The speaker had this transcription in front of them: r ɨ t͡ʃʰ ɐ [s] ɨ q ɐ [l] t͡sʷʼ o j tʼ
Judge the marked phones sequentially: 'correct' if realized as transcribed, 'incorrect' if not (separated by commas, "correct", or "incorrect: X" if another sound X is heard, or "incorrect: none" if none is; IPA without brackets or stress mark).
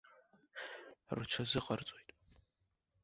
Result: incorrect: z, incorrect: r